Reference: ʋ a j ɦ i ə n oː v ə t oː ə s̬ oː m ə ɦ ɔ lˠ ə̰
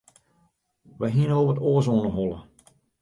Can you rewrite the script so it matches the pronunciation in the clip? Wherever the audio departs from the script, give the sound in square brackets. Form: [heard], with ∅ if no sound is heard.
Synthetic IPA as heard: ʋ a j ɦ i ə n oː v ə t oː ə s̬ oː [n] ə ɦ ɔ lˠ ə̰

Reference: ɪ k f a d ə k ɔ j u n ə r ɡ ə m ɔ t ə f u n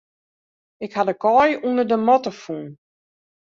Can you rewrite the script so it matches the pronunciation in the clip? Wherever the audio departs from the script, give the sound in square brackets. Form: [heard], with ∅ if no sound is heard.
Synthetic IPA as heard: ɪ k [h] a d ə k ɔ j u n ə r [d] ə m ɔ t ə f u n

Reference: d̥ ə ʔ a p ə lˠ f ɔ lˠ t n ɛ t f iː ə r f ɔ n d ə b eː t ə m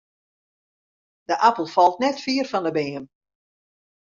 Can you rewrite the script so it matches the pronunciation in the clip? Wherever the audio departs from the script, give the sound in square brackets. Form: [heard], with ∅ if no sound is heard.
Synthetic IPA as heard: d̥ ə ʔ a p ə lˠ f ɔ lˠ t n ɛ t f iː ə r f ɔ n d ə b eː [∅] ə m

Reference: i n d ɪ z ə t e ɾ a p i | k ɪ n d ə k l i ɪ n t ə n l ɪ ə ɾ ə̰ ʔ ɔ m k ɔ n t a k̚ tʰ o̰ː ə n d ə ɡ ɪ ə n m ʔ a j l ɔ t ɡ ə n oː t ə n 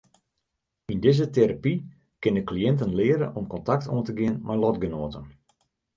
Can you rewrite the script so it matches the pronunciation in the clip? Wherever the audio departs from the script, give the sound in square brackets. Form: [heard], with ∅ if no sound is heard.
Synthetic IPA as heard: i n d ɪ z ə t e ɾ a p i | k ɪ n d ə k l i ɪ n t ə n l ɪ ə ɾ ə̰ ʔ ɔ m k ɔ n t a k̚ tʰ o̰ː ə n [t] ə ɡ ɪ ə n m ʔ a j l ɔ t ɡ ə n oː t ə n

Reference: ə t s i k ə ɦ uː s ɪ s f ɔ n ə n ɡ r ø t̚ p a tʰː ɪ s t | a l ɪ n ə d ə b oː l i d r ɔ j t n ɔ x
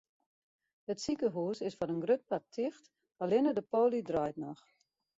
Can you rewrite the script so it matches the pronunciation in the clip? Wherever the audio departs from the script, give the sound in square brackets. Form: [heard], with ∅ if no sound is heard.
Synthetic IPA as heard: ə t s i k ə ɦ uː s ɪ s f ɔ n ə n ɡ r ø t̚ p a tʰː ɪ [x] t | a l ɪ n ə d ə [p] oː l i d r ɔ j t n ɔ x

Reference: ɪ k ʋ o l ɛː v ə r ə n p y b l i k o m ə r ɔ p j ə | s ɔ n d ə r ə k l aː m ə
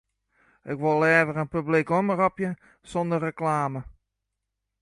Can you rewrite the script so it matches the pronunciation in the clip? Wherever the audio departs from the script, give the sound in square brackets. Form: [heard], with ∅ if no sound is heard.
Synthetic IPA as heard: ɪ k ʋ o l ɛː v ə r ə n p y b l i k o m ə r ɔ p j ə | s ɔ n d ə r ə k l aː m ə

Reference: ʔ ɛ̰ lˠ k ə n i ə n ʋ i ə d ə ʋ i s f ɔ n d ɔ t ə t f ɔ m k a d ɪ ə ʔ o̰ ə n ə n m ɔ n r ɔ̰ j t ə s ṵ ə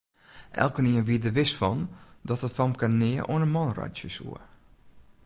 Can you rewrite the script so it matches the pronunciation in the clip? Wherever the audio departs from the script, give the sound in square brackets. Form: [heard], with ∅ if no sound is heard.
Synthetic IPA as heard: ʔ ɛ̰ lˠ k ə n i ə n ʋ i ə d ə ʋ [ɪ] s f ɔ n d ɔ t ə t f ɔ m k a [n] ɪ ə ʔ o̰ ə n ə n m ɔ n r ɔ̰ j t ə s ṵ ə

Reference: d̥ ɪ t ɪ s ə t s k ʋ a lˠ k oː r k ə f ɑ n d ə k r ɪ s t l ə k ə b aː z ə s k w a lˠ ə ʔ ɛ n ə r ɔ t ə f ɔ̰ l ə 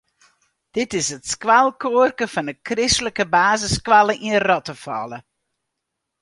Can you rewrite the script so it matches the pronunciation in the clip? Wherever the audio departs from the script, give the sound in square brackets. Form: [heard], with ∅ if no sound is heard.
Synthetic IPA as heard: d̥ ɪ t ɪ s ə t s k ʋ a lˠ k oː r k ə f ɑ n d ə k r ɪ s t l ə k ə b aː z ə s k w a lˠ ə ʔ [i] n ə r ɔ t ə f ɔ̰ l ə

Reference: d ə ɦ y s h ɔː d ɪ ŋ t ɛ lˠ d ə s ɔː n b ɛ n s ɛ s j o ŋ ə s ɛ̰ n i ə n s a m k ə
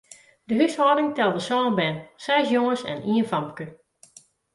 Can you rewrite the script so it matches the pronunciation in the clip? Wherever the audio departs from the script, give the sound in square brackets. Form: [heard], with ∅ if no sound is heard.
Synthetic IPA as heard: d ə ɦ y s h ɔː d ɪ ŋ t ɛ lˠ d ə s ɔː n b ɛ n s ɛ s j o ŋ ə s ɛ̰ n i ə n [f] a m k ə

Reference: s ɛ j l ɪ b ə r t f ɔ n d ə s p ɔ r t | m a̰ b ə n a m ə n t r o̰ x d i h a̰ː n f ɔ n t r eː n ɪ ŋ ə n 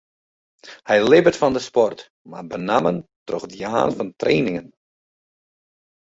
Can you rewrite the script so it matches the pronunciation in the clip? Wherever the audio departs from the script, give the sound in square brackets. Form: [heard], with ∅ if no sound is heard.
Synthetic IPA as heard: [h] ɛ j l ɪ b ə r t f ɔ n d ə s p ɔ r t | m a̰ b ə n a m ə n t r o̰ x d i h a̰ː n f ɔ n t r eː n ɪ ŋ ə n

